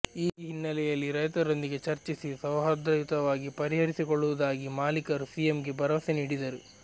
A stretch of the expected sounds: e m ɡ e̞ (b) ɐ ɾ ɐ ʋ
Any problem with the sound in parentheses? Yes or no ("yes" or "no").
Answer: no